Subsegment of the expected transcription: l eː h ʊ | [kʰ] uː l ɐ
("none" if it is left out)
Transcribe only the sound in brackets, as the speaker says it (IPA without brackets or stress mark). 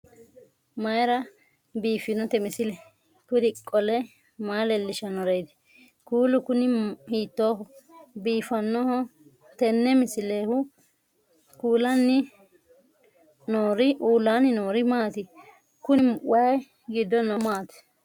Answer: k